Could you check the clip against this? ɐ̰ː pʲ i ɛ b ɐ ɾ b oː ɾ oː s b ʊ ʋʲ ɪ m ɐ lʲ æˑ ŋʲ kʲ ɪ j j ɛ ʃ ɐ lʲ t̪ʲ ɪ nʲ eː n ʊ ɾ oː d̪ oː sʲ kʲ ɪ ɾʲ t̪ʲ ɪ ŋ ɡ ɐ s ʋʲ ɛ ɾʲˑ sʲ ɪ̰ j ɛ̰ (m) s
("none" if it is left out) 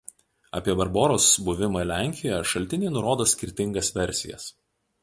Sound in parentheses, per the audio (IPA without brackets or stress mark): none